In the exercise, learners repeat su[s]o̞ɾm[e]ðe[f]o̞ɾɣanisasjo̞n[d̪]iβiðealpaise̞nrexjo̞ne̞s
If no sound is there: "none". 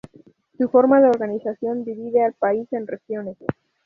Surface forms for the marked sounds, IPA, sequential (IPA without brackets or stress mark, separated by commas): f, a, none, d̪